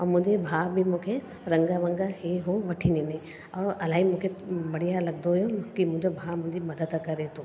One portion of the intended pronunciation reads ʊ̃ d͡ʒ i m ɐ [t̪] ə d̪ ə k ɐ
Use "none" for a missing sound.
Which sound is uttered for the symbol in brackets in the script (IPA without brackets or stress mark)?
d̪